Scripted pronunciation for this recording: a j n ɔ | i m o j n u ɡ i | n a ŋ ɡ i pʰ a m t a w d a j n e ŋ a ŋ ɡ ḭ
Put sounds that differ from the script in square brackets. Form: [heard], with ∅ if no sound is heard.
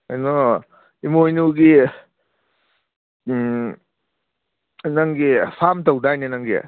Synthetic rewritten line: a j n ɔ | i m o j n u ɡ i | n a ŋ ɡ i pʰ a m t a w d a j n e [n] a ŋ ɡ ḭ